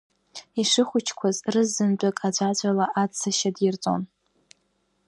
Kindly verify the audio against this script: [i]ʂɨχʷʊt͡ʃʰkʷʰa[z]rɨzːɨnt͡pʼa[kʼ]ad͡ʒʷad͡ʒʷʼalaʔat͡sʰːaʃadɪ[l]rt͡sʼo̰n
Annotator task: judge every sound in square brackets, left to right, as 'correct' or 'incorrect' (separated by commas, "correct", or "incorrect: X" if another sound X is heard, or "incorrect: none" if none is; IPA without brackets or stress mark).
correct, correct, correct, incorrect: none